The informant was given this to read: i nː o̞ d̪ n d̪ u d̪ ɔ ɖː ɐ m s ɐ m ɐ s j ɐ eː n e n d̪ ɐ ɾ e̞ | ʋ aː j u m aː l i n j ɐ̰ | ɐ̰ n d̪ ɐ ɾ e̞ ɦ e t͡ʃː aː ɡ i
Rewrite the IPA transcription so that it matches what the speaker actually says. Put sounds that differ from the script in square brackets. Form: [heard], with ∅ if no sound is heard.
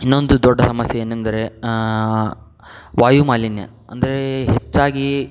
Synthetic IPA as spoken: i nː o̞ [∅] n d̪ u d̪ ɔ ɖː ɐ [∅] s ɐ m ɐ s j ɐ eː n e n d̪ ɐ ɾ e̞ | ʋ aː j u m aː l i n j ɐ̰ | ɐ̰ n d̪ ɐ ɾ e̞ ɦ e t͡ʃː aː ɡ i